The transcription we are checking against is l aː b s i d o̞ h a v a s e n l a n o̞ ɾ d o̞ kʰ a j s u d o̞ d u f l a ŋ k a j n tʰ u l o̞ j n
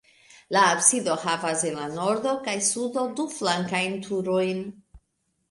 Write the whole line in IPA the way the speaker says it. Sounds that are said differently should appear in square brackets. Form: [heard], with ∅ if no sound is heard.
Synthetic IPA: l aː b s i d o̞ h a v a s e n l a n o̞ ɾ d o̞ [k] a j s u d o̞ d u f l a ŋ k a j n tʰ u [ɾ] o̞ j n